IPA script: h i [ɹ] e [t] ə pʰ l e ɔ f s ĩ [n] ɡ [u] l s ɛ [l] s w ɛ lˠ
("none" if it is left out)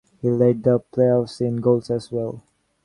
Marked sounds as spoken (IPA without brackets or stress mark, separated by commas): l, d, n, o, none